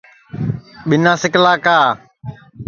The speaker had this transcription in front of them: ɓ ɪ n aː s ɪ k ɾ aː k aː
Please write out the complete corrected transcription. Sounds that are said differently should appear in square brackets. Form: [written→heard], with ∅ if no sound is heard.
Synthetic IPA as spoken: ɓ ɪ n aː s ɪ k [ɾ→l] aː k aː